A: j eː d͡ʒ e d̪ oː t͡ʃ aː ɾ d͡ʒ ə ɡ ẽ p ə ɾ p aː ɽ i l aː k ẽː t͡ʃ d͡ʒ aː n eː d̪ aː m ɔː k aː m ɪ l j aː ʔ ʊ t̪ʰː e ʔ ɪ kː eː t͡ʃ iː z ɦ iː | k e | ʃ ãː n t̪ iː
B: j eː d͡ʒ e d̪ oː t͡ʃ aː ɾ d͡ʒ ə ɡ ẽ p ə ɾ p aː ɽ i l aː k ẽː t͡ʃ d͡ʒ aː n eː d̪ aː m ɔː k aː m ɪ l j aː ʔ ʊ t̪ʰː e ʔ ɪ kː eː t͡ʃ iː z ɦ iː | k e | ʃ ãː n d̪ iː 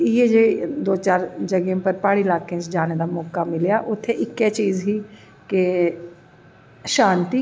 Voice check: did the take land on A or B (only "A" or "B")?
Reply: A